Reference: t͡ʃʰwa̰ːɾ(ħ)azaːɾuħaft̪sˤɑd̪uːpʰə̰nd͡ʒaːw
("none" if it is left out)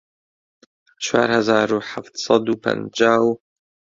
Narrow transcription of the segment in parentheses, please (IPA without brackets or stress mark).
h